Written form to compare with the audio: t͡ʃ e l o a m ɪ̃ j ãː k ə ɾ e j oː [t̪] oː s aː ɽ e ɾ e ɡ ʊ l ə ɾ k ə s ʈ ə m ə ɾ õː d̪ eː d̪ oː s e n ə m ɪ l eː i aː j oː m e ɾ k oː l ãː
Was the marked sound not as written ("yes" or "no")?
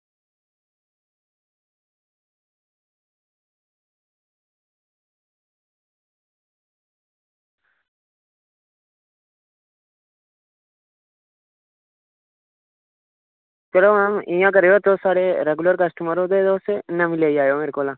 no